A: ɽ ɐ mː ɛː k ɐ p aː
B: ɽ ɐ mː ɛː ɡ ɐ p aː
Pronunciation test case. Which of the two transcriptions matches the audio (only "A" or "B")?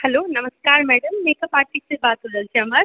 A